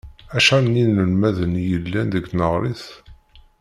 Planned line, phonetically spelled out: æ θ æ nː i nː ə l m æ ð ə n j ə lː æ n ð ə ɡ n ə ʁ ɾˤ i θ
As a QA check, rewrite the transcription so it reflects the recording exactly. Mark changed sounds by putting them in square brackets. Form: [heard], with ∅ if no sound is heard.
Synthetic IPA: æ [ʃ] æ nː i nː ə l m æ ð ə n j ə lː æ n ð ə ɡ n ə ʁ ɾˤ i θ

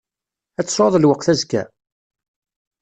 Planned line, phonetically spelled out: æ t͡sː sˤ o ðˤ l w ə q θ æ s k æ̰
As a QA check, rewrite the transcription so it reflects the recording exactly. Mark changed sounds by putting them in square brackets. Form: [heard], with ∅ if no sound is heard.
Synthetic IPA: æ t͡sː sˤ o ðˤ l w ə q θ æ [z] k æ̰

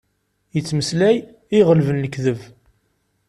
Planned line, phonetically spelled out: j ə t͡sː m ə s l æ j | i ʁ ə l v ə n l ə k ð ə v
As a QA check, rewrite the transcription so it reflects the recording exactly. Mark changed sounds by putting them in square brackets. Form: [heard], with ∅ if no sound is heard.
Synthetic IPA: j ə t͡sː m ə s l æ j | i ʁ ə l v ə n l ə k ð ə v

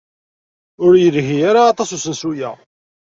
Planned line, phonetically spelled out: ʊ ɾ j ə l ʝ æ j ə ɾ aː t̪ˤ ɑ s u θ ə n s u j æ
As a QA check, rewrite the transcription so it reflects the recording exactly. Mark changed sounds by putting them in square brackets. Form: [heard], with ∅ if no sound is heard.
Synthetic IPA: ʊ ɾ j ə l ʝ [i] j [a] ɾ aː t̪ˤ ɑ s u [s] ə n s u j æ

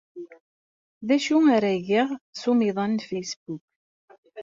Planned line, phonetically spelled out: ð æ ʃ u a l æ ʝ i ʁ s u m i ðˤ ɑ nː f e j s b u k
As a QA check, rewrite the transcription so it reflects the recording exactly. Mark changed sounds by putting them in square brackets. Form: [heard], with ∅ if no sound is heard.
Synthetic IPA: ð æ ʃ u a [ɾ] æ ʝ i ʁ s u m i ðˤ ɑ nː f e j s b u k

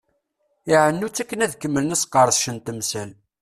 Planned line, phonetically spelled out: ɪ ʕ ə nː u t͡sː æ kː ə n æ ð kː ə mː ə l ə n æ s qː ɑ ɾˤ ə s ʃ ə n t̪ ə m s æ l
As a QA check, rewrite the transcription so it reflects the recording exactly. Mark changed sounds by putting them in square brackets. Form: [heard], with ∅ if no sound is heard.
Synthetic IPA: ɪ ʕ ə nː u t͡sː æ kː ə n æ ð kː ə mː ə l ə n æ s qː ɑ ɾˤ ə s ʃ ə n t̪ ə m s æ l

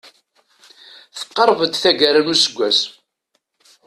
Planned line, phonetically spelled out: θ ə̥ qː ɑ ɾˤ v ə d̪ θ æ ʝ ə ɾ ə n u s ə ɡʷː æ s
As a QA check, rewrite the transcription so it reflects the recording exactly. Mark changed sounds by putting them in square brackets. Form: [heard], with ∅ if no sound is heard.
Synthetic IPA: θ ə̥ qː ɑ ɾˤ v ə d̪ θ æ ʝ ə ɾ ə n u s ə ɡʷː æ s

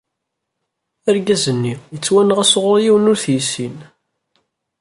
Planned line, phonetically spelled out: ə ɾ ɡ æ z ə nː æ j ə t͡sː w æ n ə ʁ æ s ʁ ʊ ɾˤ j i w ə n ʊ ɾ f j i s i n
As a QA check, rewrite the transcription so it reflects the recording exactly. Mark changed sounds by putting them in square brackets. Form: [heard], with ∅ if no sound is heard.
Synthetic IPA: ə ɾ ɡ æ z ə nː [i] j ə t͡sː w æ n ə ʁ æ s ʁ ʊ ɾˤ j i w ə n ʊ ɾ [θ] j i s i n

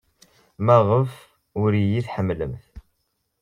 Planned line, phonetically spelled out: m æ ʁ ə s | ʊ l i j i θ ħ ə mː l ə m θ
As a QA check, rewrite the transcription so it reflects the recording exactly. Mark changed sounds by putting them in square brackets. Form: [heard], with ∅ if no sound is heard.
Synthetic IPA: m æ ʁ ə [f] | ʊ [ɾ] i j i θ ħ ə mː l ə m θ

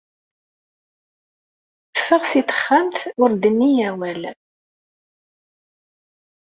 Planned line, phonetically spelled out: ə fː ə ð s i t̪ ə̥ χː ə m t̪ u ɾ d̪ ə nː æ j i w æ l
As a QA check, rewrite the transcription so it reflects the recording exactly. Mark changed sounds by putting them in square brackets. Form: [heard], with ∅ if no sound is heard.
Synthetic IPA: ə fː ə [ʁ] s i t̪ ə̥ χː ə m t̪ [ʊ] ɾ d̪ ə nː [i] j [æ] w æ l

